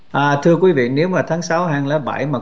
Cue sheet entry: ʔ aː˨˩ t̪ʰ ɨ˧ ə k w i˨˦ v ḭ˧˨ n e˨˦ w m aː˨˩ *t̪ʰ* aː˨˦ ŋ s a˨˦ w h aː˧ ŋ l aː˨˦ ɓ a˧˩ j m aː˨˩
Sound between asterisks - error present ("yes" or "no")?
no